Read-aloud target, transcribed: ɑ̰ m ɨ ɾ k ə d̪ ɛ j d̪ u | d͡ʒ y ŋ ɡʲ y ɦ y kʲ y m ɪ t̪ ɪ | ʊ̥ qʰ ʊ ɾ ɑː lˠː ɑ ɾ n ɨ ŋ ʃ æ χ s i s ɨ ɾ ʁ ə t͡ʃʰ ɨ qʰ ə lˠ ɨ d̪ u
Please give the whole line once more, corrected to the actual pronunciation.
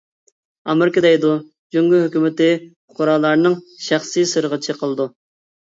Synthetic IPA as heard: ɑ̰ m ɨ ɾ k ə d̪ ɛ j d̪ u | d͡ʒ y ŋ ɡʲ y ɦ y kʲ y m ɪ t̪ ɪ | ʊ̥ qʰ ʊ ɾ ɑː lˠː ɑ ɾ n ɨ ŋ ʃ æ χ s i s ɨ ɾ ʁ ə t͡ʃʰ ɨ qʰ ə lˠ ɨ d̪ u